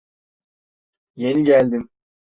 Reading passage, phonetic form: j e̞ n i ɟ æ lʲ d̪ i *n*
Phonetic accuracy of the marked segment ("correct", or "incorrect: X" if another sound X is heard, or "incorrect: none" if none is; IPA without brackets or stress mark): incorrect: m